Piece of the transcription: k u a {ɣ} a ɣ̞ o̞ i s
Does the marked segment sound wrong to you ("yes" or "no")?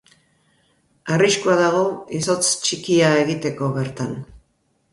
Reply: yes